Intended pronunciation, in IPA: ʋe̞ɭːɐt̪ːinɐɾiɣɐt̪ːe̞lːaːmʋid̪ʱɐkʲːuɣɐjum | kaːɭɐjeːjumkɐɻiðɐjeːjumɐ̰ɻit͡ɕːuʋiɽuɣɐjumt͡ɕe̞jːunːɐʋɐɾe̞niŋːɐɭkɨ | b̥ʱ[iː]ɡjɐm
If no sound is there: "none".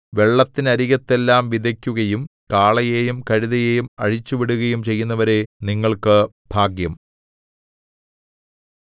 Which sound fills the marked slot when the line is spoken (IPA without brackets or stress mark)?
aː